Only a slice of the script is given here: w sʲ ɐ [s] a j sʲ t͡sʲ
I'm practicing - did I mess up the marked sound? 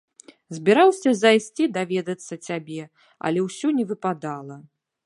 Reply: yes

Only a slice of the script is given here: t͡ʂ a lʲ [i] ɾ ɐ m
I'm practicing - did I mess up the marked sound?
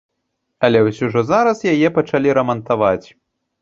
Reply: no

